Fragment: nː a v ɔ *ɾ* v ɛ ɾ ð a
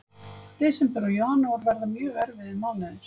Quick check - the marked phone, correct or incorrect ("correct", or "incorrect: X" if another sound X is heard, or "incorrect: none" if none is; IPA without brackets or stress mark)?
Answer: correct